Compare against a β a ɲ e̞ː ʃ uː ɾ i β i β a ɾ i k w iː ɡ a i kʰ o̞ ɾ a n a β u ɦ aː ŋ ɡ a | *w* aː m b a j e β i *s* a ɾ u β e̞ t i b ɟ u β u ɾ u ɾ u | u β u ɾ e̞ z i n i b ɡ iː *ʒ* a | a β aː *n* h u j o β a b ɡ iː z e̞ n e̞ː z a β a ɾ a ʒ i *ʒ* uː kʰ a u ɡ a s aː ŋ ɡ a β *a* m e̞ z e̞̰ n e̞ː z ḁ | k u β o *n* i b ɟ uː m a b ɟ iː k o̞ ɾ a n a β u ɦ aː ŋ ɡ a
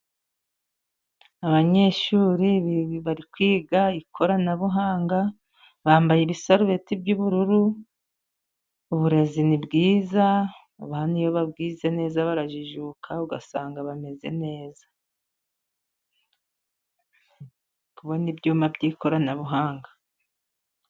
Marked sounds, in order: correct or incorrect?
incorrect, correct, incorrect, correct, correct, correct, correct

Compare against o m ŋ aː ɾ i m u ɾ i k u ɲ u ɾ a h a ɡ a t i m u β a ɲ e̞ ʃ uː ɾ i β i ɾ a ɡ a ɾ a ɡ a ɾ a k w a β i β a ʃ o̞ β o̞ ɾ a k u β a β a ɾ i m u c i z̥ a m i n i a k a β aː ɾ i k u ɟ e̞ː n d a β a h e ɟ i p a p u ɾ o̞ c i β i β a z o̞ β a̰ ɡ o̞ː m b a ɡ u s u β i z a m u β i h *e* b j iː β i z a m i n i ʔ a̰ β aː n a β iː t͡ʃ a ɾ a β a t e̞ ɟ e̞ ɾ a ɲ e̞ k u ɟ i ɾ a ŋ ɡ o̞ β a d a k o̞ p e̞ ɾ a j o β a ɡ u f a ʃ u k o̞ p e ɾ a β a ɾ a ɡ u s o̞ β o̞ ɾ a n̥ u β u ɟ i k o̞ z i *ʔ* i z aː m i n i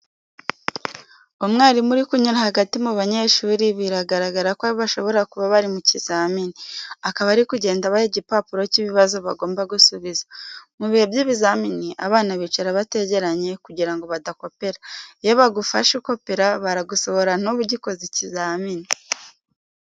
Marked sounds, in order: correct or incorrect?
correct, incorrect

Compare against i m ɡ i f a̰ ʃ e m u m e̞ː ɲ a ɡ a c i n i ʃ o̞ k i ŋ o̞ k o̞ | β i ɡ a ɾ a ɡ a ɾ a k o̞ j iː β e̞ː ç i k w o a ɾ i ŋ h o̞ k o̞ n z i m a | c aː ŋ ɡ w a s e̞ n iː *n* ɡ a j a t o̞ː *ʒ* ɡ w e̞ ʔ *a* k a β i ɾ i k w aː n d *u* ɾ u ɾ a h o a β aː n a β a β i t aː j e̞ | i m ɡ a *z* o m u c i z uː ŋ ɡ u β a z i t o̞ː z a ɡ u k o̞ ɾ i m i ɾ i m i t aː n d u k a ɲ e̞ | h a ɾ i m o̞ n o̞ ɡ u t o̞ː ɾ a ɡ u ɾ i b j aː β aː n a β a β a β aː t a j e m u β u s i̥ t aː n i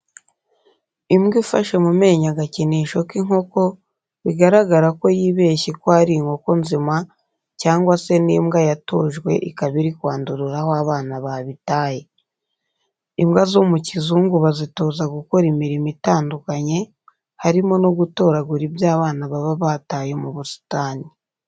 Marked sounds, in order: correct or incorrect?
incorrect, correct, incorrect, correct, correct

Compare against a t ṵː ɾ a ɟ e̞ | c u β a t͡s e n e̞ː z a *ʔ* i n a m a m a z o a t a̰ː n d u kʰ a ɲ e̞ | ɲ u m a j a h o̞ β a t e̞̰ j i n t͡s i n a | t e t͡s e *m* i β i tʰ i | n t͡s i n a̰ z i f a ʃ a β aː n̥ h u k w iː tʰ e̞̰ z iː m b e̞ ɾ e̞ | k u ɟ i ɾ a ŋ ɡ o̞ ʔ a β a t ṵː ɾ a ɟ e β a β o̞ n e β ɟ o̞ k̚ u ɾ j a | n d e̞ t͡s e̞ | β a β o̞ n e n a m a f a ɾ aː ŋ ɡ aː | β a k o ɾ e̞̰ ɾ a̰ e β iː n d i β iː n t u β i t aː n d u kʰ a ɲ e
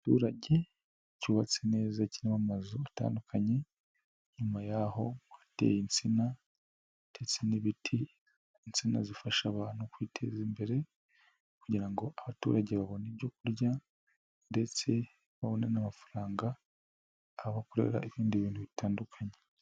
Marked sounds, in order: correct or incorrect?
incorrect, incorrect

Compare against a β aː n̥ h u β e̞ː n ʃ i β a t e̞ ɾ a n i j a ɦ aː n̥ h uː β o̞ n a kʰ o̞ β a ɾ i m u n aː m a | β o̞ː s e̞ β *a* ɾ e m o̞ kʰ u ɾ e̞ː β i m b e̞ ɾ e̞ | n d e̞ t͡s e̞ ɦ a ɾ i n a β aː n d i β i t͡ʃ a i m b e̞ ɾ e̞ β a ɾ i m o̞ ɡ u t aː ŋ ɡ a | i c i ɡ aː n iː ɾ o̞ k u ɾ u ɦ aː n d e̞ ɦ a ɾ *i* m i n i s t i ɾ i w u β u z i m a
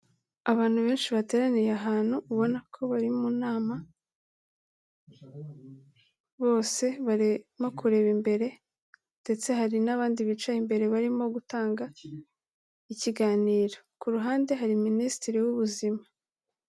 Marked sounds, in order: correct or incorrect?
correct, correct

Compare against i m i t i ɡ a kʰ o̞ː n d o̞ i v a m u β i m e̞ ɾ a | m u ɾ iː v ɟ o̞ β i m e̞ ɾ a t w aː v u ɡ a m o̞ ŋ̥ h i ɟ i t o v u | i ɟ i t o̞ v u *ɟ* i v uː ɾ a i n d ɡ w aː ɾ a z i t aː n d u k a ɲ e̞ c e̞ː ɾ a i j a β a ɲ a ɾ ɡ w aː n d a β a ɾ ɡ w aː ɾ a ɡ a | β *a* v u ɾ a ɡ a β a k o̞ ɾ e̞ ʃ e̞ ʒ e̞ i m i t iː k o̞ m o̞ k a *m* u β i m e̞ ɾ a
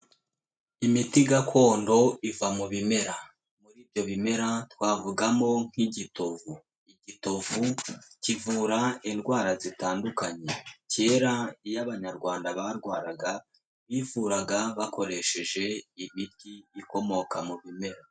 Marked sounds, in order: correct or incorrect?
incorrect, incorrect, correct

